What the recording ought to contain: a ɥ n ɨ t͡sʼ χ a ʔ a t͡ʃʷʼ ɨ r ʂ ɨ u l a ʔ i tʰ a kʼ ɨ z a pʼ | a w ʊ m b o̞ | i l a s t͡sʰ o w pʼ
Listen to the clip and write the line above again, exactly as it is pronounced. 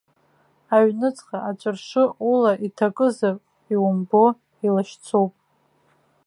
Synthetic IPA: a ɥ n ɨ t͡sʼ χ a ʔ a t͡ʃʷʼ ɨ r ʂ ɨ u l a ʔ i tʰ a kʼ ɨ z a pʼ | i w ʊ m b o̞ | i l a ʃ t͡sʰ o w pʼ